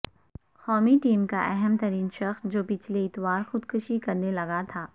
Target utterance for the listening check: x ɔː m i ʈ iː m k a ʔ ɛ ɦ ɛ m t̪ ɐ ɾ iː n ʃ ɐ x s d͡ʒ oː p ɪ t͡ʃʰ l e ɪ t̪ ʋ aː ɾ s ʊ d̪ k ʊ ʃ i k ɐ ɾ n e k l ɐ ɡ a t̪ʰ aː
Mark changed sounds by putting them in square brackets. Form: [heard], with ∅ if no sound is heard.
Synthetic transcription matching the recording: x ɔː m i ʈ iː m k a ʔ ɛ ɦ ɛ m t̪ ɐ ɾ iː n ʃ ɐ x s d͡ʒ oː p ɪ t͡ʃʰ l e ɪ t̪ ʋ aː ɾ [x] ʊ d̪ k ʊ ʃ i k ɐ ɾ n e [∅] l ɐ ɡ a t̪ʰ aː